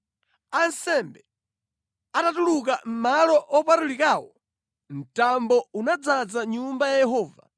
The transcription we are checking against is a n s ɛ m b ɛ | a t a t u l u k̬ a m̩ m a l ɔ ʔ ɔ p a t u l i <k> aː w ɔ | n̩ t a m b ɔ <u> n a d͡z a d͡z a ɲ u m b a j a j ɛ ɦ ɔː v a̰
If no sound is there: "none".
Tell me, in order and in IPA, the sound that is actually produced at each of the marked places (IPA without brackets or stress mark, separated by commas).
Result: k, u